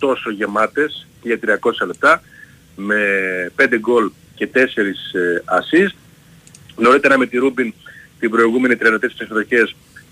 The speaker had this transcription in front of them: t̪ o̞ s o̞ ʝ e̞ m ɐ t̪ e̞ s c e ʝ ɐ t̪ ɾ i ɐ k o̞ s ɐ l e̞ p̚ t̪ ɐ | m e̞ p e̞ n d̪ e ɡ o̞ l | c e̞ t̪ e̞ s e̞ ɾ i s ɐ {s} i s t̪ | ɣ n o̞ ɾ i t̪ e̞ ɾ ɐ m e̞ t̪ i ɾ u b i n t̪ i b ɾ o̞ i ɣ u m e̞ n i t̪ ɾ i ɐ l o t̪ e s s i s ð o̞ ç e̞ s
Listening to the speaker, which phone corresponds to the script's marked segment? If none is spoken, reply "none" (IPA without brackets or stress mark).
s